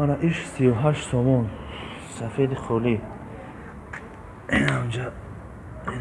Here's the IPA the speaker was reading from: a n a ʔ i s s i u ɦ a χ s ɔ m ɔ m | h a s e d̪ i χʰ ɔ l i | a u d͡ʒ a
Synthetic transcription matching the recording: a n a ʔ i ʃ s i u ɦ a ʃ s ɔ m ɔ n | s a f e d̪ i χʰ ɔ l i | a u d͡ʒ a